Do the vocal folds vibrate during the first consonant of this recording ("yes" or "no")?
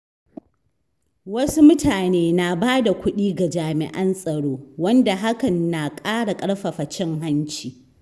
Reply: yes